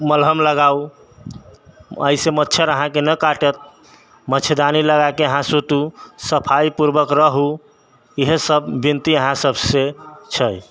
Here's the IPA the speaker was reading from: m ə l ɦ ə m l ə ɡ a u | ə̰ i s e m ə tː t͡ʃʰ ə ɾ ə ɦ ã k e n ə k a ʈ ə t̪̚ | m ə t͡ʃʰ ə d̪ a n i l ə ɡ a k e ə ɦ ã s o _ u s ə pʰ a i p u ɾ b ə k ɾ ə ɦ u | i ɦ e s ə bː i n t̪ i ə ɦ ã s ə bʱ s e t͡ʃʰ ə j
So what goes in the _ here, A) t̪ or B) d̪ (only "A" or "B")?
A